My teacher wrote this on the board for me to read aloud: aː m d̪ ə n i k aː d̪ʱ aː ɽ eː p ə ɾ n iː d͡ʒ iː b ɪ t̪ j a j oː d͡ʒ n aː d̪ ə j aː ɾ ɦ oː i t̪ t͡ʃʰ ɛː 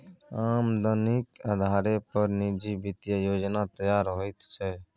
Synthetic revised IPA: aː m d̪ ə n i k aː d̪ʱ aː ɾ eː p ə ɾ n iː d͡ʒ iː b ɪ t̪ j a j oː d͡ʒ n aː t̪ ə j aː ɾ ɦ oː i t̪ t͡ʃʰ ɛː